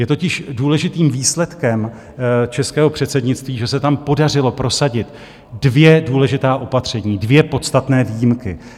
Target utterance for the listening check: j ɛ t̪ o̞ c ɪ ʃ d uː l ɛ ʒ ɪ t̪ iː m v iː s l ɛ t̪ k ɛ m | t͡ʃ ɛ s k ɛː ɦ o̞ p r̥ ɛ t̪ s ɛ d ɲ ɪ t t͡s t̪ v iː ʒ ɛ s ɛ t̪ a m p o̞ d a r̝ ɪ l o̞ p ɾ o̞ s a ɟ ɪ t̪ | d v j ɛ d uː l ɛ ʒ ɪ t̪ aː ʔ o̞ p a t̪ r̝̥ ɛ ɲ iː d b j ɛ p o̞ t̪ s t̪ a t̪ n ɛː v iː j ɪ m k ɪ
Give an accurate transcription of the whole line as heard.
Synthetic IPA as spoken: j ɛ t̪ o̞ c ɪ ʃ d uː l ɛ ʒ ɪ t̪ iː m v iː s l ɛ t̪ k ɛ m | t͡ʃ ɛ s k ɛː ɦ o̞ p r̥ ɛ t̪ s ɛ d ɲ ɪ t t͡s t̪ v iː ʒ ɛ s ɛ t̪ a m p o̞ d a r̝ ɪ l o̞ p ɾ o̞ s a ɟ ɪ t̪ | d v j ɛ d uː l ɛ ʒ ɪ t̪ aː ʔ o̞ p a t̪ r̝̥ ɛ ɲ iː d v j ɛ p o̞ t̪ s t̪ a t̪ n ɛː v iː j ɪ m k ɪ